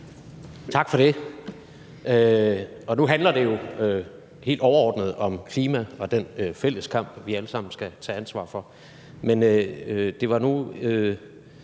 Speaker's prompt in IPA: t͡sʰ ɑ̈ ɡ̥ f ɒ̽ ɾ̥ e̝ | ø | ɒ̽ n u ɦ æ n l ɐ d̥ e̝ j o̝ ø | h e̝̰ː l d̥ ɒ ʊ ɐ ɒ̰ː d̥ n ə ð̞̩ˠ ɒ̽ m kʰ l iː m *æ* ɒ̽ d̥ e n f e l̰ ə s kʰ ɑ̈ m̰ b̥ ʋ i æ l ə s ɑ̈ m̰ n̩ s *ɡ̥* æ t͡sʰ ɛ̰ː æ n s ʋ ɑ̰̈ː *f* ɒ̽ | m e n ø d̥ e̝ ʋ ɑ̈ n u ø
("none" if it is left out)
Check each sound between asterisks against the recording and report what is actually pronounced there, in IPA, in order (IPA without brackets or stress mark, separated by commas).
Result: æ, ɡ̥, f